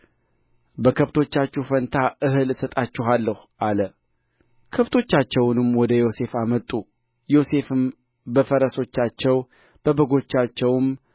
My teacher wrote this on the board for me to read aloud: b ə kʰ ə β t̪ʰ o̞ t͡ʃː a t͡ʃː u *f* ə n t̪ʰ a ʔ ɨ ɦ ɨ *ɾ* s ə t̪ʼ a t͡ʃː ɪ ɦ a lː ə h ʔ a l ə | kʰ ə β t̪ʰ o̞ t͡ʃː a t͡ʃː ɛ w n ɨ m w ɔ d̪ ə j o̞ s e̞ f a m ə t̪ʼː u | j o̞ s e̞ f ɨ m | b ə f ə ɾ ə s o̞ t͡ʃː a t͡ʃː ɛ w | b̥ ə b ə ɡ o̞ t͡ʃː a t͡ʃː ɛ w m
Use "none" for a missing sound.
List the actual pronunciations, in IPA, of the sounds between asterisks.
f, l

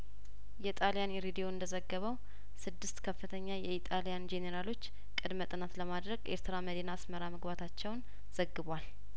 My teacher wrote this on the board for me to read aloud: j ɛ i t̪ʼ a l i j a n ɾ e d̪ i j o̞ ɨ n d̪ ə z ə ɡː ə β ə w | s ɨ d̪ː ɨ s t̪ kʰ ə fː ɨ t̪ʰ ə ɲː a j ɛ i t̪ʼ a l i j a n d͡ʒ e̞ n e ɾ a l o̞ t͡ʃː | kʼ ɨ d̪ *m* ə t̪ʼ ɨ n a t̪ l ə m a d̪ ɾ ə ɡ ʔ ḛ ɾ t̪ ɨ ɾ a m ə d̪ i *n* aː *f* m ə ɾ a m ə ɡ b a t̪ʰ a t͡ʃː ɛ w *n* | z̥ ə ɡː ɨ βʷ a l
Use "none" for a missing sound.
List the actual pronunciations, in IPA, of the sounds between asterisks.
m, n, s, n

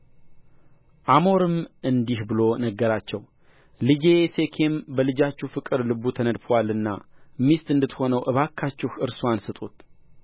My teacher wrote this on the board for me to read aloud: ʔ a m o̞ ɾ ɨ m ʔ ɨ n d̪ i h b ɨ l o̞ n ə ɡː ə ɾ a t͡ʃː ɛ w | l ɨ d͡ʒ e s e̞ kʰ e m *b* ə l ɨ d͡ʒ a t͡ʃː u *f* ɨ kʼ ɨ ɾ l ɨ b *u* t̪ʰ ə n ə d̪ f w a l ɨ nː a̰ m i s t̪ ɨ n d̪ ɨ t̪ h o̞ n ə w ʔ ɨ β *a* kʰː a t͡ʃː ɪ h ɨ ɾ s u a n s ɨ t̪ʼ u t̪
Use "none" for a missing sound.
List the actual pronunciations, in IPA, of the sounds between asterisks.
b, f, u, a

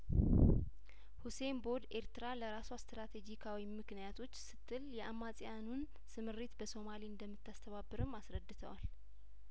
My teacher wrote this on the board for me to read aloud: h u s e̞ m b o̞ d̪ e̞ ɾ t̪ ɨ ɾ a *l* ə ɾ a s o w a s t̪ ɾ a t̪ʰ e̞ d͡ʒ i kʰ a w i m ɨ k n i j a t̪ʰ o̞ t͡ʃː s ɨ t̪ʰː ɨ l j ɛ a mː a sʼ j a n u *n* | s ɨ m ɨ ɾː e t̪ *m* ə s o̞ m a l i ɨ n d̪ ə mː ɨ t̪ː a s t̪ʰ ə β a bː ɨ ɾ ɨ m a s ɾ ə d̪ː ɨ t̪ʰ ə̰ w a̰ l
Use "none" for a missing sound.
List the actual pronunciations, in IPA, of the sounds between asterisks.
l, n, b

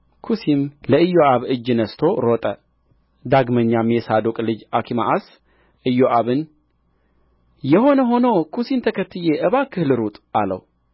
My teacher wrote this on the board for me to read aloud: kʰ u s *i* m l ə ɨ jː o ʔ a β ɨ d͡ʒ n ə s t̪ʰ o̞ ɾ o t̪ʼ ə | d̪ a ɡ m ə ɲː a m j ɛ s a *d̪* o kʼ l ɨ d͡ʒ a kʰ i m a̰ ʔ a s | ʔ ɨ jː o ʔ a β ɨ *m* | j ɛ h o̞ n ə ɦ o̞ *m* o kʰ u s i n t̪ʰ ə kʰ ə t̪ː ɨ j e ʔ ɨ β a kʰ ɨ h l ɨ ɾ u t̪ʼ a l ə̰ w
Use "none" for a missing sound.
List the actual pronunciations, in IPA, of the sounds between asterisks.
i, d̪, n, n

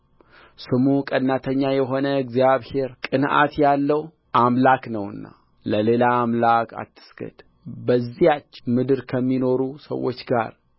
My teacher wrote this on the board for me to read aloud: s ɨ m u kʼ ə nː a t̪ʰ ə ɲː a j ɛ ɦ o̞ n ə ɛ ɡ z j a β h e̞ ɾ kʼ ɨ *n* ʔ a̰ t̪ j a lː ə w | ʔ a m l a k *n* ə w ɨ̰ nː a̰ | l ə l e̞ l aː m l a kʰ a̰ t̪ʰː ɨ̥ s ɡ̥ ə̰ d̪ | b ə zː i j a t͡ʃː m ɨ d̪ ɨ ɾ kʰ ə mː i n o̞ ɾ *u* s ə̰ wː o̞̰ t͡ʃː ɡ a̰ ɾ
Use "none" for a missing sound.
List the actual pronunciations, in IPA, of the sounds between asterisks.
n, n, u

